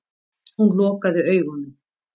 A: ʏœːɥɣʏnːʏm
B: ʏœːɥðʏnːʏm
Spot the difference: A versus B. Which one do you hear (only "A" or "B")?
A